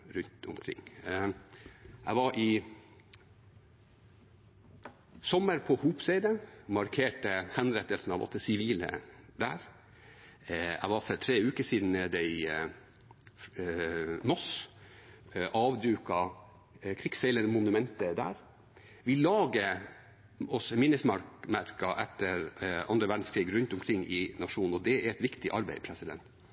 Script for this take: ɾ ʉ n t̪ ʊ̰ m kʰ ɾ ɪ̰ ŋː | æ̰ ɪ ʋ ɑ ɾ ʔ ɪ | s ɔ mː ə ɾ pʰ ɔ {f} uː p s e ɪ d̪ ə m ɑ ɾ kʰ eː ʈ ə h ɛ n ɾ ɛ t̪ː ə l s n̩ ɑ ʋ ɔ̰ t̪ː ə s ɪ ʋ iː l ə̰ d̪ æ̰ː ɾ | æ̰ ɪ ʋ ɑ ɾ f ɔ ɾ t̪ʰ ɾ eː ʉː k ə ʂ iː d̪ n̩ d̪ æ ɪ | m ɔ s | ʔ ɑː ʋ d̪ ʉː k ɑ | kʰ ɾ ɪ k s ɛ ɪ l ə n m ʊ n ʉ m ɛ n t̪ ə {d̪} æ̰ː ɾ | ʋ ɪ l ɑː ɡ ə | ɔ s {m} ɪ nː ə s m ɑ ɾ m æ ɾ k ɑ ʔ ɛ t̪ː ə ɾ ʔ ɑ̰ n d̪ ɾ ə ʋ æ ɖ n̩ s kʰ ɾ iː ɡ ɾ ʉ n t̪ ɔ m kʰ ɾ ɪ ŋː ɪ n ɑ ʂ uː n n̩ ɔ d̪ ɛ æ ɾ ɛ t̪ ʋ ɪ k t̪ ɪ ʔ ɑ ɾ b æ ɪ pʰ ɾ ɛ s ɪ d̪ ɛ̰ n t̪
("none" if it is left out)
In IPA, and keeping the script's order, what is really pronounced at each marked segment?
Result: h, d̪, m

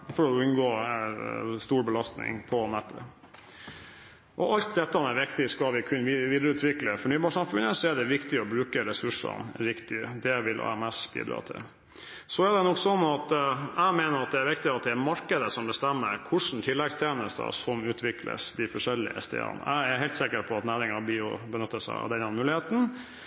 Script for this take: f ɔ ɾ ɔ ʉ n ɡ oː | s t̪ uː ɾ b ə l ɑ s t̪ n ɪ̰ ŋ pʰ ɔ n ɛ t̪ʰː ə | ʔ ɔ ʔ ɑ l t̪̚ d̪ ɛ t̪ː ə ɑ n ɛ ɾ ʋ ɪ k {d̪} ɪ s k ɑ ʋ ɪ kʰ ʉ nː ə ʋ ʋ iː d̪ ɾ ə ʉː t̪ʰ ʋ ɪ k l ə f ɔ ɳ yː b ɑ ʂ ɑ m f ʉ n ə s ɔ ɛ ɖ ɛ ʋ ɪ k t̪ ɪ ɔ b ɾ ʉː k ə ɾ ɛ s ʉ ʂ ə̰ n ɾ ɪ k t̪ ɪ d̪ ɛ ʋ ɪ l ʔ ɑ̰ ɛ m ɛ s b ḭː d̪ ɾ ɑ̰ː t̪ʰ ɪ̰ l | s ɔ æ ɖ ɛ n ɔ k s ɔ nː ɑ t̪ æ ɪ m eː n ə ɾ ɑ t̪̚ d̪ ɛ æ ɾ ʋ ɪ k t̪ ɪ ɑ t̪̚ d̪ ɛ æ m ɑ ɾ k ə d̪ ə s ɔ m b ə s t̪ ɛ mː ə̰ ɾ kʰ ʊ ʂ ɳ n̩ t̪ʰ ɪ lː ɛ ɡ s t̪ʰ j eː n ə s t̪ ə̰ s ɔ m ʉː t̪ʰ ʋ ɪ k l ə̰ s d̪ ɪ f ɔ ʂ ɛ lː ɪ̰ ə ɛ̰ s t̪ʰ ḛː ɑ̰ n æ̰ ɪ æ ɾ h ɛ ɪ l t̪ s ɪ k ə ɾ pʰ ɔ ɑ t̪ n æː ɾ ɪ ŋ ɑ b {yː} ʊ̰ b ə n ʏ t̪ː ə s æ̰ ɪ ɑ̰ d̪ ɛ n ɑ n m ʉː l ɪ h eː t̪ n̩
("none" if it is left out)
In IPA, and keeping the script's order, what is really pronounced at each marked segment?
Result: t̪, iː

